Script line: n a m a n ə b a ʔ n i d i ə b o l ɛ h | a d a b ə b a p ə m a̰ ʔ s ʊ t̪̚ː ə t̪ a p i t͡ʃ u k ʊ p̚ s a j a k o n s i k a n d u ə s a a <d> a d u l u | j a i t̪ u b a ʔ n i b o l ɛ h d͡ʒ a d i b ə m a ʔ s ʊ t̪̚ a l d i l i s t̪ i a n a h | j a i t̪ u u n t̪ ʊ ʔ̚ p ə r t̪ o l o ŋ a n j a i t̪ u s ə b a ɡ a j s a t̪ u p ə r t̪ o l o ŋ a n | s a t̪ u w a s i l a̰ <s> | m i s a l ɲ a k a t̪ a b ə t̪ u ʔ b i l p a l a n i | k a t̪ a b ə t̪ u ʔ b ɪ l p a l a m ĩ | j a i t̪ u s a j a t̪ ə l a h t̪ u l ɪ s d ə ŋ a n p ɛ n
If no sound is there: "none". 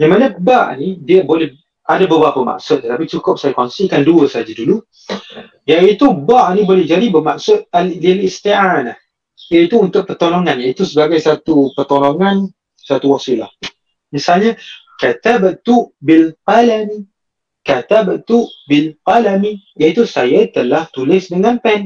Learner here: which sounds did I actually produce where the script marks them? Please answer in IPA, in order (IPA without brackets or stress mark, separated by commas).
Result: d͡ʒ, h